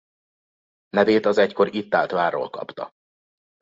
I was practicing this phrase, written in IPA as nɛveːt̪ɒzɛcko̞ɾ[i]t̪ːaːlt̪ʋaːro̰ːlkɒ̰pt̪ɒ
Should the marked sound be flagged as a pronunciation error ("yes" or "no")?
no